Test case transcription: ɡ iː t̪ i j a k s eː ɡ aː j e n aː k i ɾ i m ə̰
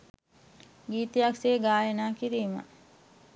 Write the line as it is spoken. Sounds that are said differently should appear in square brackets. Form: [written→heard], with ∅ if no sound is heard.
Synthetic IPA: ɡ iː t̪ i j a k s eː ɡ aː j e n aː k i ɾ [i→iː] m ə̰